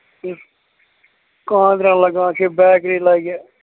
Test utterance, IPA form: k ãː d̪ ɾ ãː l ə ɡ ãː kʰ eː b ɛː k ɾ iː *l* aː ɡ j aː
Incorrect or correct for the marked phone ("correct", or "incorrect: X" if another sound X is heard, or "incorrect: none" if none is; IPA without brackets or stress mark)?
correct